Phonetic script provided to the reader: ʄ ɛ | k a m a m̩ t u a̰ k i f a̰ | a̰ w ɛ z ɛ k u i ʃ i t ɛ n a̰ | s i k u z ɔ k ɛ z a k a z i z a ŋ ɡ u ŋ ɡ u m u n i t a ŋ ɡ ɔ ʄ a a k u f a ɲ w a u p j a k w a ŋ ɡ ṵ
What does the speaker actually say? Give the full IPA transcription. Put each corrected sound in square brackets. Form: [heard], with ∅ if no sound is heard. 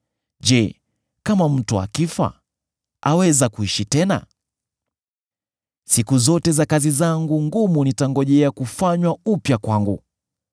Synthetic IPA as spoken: ʄ ɛ | k a m a m̩ t u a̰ k i f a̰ | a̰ w ɛ z [a] k u i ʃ i t ɛ n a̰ | s i k u z ɔ [t] ɛ z a k a z i z a ŋ ɡ u ŋ ɡ u m u n i t a ŋ ɡ ɔ ʄ [ɛ] a k u f a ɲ w a u p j a k w a ŋ ɡ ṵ